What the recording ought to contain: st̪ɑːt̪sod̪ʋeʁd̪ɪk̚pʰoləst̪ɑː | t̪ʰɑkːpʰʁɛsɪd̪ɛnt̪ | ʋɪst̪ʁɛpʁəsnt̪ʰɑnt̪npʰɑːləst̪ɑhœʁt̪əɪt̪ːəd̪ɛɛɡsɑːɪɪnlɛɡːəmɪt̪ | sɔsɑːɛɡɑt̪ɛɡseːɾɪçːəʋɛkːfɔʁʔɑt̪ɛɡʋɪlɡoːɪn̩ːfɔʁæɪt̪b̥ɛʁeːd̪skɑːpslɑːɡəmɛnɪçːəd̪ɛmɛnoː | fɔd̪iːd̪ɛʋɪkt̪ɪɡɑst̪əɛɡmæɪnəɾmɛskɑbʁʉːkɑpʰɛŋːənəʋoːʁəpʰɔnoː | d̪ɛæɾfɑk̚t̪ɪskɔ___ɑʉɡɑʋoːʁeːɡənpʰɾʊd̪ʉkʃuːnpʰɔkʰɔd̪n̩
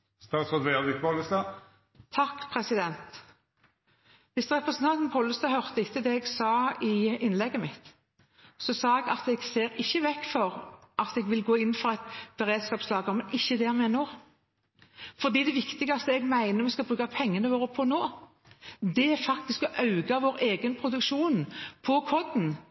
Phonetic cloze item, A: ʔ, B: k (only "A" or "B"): A